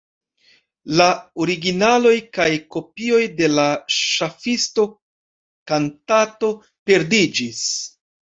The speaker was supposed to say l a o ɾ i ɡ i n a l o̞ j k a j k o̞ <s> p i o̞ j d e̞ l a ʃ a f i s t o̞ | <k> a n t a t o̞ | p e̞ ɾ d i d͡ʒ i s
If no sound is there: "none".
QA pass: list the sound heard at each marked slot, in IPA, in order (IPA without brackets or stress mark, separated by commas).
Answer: none, k